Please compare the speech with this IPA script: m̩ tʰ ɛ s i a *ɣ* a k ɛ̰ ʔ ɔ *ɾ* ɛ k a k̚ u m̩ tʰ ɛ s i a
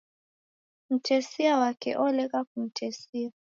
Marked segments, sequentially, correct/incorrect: incorrect, incorrect

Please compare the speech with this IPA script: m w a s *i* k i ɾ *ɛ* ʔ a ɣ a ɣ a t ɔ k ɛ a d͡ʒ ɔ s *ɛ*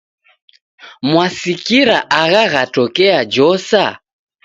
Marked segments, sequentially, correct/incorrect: correct, incorrect, incorrect

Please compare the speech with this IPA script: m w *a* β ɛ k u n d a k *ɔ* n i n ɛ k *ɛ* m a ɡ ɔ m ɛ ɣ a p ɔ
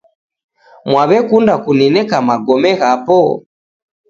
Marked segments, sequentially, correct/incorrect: correct, incorrect, incorrect

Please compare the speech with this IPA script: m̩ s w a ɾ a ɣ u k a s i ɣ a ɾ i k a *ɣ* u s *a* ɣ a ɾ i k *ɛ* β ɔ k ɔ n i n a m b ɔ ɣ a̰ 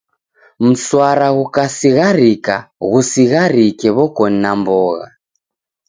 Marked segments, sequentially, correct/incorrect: correct, incorrect, correct

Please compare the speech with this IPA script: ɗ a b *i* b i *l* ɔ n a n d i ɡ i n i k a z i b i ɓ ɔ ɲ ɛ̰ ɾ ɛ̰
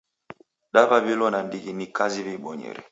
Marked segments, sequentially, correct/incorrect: incorrect, correct

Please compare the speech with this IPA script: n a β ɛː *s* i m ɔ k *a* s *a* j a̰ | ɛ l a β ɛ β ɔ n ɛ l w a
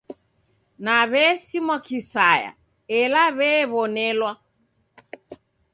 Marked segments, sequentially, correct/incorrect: correct, incorrect, correct

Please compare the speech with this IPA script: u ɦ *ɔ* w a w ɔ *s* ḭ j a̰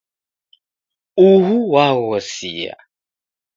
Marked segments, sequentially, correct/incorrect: incorrect, correct

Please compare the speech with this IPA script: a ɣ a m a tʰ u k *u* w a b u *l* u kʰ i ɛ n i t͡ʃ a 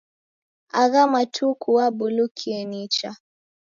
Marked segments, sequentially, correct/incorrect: correct, correct

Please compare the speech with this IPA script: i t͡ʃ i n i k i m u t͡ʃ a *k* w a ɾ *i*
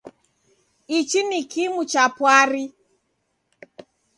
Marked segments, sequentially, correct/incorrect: incorrect, correct

